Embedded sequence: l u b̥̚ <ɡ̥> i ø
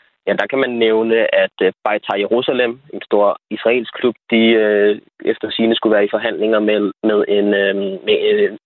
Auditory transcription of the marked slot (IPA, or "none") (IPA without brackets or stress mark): d̥